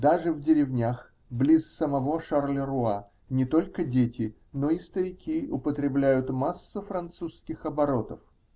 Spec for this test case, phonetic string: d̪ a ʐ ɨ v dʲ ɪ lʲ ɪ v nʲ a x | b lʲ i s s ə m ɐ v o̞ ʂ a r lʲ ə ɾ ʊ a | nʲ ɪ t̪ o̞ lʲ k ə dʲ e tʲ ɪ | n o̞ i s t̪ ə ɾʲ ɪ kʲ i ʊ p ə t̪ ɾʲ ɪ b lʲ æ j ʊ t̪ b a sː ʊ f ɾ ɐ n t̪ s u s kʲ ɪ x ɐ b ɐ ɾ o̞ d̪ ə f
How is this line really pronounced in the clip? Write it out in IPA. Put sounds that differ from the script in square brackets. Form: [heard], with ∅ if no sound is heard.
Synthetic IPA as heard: d̪ a ʐ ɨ v dʲ ɪ [ɾʲ] ɪ v nʲ a x | b lʲ i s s ə m ɐ v o̞ ʂ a r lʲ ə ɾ ʊ a | nʲ ɪ t̪ o̞ lʲ k ə dʲ e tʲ ɪ | n o̞ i s t̪ ə ɾʲ ɪ kʲ i ʊ p ə t̪ ɾʲ ɪ b lʲ æ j ʊ t̪ [m] a sː ʊ f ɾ ɐ n t̪ s u s kʲ ɪ x ɐ b ɐ ɾ o̞ [t̪] ə f